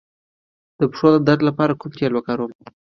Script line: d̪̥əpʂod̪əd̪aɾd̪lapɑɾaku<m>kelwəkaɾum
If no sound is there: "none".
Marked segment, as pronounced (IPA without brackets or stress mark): m